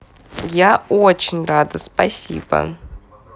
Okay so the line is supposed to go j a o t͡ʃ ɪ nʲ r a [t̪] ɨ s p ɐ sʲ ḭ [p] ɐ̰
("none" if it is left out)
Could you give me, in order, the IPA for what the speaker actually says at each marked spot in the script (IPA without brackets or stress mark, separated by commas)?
d̪, b